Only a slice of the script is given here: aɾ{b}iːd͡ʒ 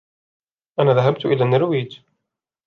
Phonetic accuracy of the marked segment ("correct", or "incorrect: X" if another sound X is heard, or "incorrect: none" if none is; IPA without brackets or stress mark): incorrect: w